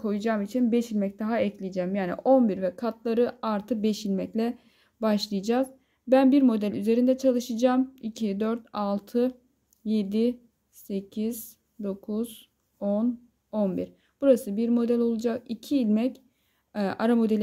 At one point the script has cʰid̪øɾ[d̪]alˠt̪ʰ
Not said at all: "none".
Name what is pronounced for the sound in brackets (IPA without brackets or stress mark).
t̪